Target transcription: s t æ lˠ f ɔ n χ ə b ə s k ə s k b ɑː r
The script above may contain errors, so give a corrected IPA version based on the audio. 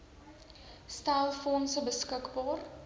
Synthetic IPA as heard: s t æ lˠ f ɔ n s ə b ə s k ə k b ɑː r